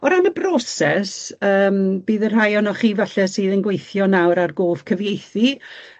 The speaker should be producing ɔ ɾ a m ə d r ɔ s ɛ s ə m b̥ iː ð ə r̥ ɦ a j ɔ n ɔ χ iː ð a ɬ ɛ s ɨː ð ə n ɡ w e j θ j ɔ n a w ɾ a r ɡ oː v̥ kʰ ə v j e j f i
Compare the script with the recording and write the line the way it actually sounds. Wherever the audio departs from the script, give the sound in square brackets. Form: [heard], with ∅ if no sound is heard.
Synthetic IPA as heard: ɔ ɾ a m ə [b] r ɔ s ɛ s [əː] m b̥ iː ð ə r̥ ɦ a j ɔ n ɔ χ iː [v] a ɬ ɛ s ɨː ð ə n ɡ w e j θ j ɔ n a w ɾ a r ɡ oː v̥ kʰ ə v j e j [θ] i